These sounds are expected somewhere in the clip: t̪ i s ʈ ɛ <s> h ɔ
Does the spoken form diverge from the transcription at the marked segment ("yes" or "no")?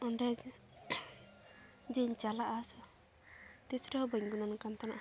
yes